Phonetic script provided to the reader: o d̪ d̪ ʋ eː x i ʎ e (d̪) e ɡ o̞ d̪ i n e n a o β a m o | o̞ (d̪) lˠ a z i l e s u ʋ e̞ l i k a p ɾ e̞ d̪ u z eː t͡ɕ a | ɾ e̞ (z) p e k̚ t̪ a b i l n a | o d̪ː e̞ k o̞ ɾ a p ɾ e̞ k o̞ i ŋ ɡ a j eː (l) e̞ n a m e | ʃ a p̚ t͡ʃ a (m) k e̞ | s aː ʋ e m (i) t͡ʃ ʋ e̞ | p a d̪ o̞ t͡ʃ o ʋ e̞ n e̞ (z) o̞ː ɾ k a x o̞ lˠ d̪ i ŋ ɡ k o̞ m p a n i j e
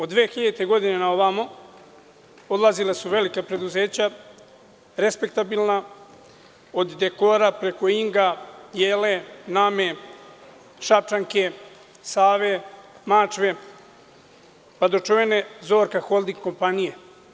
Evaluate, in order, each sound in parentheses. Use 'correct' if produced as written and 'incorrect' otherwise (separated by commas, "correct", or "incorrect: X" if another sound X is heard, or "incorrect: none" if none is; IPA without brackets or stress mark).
incorrect: t̪, correct, incorrect: s, correct, incorrect: ŋ, incorrect: a, correct